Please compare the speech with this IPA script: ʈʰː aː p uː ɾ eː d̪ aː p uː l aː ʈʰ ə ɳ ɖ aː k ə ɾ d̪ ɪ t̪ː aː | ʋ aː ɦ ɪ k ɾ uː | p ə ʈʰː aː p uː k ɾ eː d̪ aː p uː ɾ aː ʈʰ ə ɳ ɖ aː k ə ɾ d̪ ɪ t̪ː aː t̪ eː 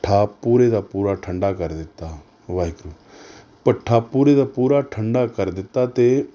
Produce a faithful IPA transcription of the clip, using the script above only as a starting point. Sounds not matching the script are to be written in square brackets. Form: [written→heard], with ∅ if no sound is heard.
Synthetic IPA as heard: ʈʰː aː p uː ɾ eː d̪ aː p uː [l→ɾ] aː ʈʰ ə ɳ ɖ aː k ə ɾ d̪ ɪ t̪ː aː | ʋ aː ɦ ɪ k ɾ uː | p ə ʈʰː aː p uː [k→∅] ɾ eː d̪ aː p uː ɾ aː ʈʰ ə ɳ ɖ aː k ə ɾ d̪ ɪ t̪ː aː t̪ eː